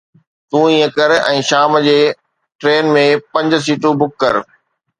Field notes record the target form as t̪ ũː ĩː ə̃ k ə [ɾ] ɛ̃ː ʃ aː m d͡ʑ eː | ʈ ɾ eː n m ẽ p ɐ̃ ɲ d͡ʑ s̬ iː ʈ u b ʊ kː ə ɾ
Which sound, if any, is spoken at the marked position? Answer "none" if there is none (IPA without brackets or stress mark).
ɾ